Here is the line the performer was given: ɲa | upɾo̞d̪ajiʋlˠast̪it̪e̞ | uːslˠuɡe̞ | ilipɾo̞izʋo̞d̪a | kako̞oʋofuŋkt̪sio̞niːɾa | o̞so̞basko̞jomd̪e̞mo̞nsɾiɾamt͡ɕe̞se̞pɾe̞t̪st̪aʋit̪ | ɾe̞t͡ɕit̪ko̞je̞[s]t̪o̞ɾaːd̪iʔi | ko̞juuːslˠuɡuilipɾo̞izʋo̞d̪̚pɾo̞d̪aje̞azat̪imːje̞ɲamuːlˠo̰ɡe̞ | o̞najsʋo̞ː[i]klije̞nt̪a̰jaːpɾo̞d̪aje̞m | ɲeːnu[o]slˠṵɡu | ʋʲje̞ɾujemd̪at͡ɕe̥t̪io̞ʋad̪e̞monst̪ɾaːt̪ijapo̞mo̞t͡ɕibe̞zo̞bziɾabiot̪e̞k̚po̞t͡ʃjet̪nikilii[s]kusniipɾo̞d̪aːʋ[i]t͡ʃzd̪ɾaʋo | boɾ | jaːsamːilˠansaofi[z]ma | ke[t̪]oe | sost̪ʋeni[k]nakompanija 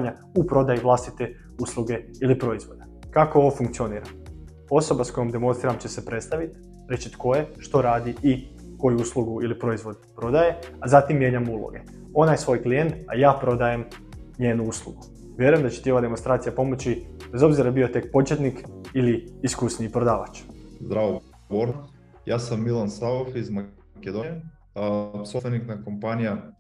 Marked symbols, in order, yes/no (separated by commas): no, no, no, yes, no, yes, no, yes